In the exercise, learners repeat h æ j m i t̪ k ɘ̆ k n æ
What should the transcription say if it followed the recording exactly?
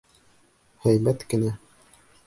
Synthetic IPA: h æ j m æ t̪ k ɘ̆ n æ

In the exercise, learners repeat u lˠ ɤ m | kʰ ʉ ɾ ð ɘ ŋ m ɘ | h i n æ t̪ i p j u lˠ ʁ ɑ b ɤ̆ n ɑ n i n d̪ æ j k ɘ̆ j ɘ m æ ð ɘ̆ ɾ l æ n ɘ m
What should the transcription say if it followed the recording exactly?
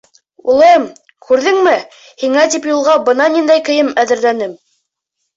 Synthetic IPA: u lˠ ɤ m | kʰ ʉ ɾ ð ɘ ŋ m ɘ | h i ŋ æ t̪ i p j u lˠ ʁ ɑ b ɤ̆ n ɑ n i n d̪ æ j k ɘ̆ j ɘ m æ ð ɘ̆ ɾ l æ n ɘ m

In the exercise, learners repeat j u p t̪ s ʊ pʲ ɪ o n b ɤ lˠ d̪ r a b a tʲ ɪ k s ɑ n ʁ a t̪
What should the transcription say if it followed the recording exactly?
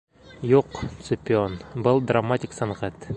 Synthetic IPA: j u q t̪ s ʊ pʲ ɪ o n b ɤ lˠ d̪ r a m a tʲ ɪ k s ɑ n ʁ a t̪

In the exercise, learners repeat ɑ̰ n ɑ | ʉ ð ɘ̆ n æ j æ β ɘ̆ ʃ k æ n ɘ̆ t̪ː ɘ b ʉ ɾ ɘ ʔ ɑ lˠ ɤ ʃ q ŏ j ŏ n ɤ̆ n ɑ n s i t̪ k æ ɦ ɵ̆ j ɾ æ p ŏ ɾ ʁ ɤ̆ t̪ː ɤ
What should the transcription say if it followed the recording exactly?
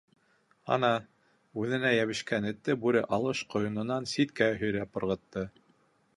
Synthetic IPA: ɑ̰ n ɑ | ʉ ð ɘ̆ n æ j æ β ɘ̆ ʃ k æ n ɘ̆ t̪ː ɘ b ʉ ɾ ɘ ʔ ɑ lˠ ɤ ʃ q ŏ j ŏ n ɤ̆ n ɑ n s i t̪ k æ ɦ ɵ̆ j ɾ æ p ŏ ɾ ʁ ɤ̆ t̪ː ɤ

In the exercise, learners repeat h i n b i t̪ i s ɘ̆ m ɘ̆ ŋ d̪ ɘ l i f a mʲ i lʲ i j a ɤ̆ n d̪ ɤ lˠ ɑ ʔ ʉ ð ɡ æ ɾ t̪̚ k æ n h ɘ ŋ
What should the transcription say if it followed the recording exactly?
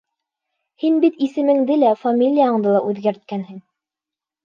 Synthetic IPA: h i n b i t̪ i s ɘ̆ m ɘ̆ ŋ d̪ ɘ l æ f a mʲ i lʲ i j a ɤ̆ ɴ d̪ ɤ lˠ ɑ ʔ ʉ ð ɡ æ ɾ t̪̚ k æ n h ɘ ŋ

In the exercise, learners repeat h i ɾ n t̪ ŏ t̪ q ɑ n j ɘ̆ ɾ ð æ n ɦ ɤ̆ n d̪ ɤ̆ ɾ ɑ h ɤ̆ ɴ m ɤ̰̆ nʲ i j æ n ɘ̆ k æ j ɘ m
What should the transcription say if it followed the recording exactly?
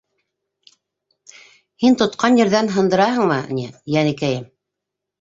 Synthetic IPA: h i n t̪ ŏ t̪ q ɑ n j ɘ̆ ɾ ð æ n ɦ ɤ̆ n d̪ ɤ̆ ɾ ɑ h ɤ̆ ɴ m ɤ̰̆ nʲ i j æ n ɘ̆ k æ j ɘ m

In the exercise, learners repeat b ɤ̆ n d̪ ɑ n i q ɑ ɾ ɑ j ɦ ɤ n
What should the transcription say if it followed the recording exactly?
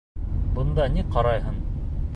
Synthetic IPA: b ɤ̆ n d̪ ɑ n i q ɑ ɾ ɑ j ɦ ɤ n

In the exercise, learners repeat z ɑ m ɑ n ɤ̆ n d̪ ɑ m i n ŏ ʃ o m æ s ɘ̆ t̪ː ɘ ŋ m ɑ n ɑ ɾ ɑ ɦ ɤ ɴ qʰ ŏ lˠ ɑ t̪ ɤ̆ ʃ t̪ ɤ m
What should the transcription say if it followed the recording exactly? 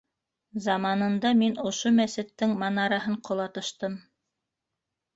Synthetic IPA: z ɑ m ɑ n ɤ̆ n d̪ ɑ m i n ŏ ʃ o m æ s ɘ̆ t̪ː ɘ ŋ m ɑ n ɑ ɾ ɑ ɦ ɤ ɴ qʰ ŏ lˠ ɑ t̪ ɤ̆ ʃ t̪ ɤ m

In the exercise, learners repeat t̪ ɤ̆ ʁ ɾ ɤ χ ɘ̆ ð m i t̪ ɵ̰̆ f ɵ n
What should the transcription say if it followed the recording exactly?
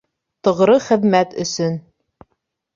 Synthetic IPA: t̪ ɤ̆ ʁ ɾ ɤ χ ɘ̆ ð m æ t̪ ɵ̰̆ s ɵ n

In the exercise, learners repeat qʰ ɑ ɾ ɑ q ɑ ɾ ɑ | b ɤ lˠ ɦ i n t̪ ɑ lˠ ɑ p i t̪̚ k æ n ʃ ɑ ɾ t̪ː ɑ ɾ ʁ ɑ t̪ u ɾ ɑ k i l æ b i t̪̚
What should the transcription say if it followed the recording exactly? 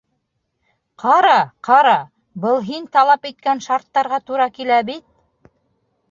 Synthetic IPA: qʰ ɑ ɾ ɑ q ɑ ɾ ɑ | b ɤ lˠ ɦ i n t̪ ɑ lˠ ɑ p i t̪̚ k æ n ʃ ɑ ɾ t̪ː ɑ ɾ ʁ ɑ t̪ u ɾ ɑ k i l æ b i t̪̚

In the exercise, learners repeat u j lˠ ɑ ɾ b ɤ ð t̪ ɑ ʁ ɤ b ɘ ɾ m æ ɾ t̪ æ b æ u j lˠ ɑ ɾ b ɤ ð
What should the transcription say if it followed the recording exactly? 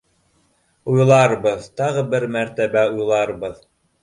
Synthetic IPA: u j lˠ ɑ ɾ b ɤ ð t̪ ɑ ʁ ɤ b ɘ ɾ m æ ɾ t̪ æ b æ u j lˠ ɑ ɾ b ɤ ð

